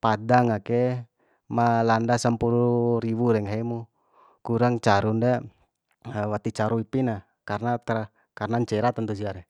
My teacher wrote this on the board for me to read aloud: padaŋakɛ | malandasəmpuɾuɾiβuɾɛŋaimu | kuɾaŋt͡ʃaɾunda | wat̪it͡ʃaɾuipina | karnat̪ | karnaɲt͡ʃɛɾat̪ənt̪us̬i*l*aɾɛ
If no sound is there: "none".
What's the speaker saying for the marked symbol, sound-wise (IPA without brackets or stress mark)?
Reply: none